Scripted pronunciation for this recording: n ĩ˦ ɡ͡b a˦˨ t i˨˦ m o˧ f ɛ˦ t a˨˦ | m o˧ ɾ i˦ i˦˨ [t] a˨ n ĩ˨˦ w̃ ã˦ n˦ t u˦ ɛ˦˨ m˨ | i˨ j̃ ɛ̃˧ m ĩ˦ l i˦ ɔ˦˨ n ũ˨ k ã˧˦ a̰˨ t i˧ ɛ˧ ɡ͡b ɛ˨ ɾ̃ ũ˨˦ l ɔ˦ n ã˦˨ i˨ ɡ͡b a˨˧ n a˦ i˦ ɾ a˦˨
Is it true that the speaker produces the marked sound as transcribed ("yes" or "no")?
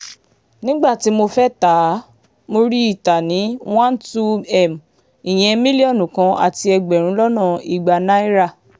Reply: yes